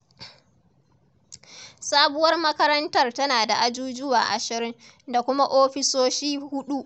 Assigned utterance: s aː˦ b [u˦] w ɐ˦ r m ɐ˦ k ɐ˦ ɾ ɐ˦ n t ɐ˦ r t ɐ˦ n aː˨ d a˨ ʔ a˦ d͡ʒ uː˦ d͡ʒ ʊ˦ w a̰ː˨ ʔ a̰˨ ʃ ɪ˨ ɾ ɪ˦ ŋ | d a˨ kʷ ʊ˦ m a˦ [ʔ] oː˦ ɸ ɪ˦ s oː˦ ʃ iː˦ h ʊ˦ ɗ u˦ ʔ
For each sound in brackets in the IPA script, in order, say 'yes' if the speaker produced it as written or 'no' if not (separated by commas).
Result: no, yes